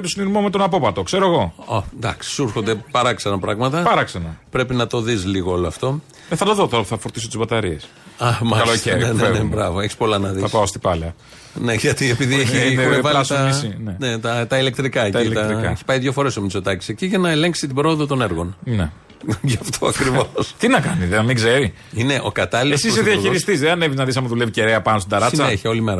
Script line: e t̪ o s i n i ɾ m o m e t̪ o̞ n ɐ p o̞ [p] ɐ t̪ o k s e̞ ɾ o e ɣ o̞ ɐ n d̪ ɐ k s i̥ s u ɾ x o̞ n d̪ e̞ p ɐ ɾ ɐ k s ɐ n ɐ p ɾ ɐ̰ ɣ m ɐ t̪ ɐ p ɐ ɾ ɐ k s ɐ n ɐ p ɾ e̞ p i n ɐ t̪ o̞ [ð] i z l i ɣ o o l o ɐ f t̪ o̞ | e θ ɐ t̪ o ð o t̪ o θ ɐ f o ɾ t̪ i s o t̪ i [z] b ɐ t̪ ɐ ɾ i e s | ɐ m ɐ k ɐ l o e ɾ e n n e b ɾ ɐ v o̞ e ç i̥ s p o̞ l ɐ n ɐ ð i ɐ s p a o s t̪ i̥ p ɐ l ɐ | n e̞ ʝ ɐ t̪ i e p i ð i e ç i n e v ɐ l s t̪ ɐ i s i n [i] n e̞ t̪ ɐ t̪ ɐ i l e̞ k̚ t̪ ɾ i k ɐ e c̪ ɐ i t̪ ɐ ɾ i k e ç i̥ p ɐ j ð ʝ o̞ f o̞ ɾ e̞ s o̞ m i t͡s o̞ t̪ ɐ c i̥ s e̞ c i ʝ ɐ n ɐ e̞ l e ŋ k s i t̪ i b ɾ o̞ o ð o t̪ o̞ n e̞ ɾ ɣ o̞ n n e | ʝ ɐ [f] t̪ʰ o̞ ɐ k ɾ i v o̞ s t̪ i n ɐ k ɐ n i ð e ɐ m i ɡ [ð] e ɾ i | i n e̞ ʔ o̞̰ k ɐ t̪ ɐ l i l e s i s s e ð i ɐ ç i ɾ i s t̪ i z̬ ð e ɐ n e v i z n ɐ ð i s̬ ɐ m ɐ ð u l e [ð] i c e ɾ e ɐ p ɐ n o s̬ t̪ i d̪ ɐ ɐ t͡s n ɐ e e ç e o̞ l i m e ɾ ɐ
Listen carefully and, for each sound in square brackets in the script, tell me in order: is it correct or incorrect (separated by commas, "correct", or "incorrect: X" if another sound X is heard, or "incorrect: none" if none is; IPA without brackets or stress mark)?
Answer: correct, correct, correct, incorrect: e, correct, incorrect: z, incorrect: v